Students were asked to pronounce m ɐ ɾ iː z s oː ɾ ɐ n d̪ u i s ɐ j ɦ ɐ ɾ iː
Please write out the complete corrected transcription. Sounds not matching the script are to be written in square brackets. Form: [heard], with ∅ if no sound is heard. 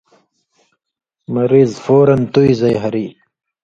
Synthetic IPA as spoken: m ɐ ɾ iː z [f] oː ɾ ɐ n [t̪] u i [z] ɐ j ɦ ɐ ɾ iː